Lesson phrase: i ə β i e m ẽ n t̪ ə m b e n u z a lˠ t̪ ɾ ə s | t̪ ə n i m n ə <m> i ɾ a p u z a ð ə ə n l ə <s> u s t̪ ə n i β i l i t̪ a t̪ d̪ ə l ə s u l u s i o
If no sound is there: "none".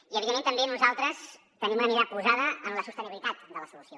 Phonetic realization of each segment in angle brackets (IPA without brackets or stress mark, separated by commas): m, s